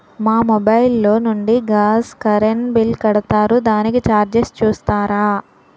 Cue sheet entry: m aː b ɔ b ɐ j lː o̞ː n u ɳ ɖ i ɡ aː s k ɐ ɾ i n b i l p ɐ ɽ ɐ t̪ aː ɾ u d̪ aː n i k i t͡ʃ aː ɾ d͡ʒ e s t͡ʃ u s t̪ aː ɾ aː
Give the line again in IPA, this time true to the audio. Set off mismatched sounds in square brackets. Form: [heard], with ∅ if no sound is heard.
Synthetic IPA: m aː [m] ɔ b ɐ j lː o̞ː n u ɳ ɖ i ɡ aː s k ɐ ɾ [e] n b i l [k] ɐ ɽ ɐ t̪ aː ɾ u d̪ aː n i k i t͡ʃ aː ɾ d͡ʒ e s t͡ʃ [uː] s t̪ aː ɾ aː